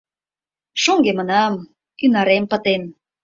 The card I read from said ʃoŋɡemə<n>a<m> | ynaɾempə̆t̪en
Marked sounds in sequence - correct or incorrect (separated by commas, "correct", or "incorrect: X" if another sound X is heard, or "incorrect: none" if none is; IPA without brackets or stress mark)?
correct, correct